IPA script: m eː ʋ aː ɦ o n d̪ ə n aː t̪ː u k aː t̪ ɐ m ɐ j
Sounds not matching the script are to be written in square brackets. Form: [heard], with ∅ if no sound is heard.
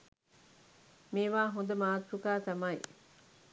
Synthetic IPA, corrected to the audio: m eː ʋ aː ɦ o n d̪ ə [m] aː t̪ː u k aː t̪ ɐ m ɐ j